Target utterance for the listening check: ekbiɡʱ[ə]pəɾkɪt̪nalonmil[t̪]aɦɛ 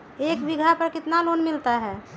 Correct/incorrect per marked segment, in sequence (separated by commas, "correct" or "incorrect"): incorrect, correct